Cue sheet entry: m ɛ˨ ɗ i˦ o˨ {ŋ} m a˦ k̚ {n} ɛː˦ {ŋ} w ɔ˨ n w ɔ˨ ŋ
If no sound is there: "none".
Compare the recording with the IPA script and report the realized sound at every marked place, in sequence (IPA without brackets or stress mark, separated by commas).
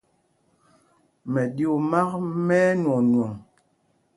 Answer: none, m, n